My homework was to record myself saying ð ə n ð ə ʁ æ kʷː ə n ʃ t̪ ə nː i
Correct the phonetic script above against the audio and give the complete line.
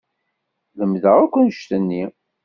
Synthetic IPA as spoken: ð ə m ð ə ʁ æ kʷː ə n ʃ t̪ ə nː i